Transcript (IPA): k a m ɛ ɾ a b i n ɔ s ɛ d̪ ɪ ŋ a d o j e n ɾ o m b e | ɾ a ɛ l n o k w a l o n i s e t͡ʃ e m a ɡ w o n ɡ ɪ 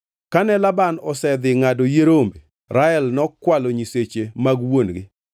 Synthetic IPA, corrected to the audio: k a n ɛ l a b a n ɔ s ɛ d̪ ɪ ŋ a d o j e ɾ o m b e | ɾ a ɛ l n ɔ k w a l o ɲ i s e t͡ʃ e m a ɡ w o n ɡ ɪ